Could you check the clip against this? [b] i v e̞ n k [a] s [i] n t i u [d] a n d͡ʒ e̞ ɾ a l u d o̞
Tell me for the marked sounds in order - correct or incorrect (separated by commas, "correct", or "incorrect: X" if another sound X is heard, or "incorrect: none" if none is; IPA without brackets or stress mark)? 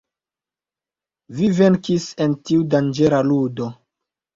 incorrect: v, incorrect: i, incorrect: e, correct